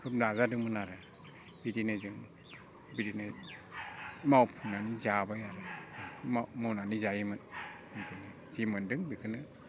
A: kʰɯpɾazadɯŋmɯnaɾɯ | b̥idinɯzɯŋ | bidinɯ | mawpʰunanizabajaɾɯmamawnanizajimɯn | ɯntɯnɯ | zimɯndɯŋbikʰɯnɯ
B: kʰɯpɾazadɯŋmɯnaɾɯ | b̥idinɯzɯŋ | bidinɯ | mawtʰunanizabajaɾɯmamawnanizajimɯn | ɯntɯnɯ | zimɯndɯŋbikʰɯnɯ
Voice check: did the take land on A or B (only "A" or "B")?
A